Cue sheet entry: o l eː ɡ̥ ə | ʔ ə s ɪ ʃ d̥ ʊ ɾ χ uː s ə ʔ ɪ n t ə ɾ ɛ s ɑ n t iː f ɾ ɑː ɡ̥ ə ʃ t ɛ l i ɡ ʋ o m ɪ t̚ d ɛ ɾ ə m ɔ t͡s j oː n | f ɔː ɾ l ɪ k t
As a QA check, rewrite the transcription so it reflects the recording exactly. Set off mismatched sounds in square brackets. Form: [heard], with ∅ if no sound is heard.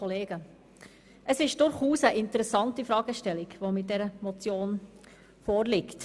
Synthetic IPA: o l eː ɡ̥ ə | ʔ ə s ɪ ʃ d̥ ʊ ɾ χ uː s ə ʔ ɪ n t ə ɾ ɛ s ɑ n t [i] f ɾ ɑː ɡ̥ ə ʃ t ɛ l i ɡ ʋ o m ɪ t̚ d ɛ ɾ ə m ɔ t͡s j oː n | f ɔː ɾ l ɪ k t